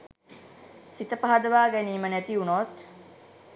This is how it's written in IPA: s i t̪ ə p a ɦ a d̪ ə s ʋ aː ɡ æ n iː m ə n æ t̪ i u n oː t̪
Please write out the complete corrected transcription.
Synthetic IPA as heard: s i t̪ ə p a ɦ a d̪ ə ʋ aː ɡ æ n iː m ə n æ t̪ i u n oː t̪